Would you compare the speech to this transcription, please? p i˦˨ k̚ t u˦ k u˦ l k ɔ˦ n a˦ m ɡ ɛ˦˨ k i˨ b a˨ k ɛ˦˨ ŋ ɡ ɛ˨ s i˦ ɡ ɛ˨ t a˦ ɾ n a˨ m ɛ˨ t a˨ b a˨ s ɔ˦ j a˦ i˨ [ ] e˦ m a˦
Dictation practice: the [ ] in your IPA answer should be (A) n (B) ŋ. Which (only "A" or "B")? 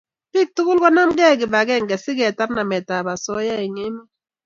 B